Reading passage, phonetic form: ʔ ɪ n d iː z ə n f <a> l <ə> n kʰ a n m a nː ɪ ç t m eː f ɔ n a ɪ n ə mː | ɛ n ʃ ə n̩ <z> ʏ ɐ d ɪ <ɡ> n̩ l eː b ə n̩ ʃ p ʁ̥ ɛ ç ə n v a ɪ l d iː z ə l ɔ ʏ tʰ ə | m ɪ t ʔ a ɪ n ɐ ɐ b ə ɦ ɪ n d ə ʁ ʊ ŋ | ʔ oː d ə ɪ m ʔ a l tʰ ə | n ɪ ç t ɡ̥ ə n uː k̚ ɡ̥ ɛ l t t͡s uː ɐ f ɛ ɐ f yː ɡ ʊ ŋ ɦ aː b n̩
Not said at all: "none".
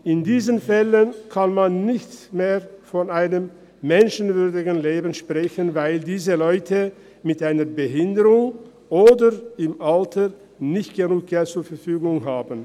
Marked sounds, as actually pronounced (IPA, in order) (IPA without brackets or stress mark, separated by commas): ɛ, ə, v, ɡ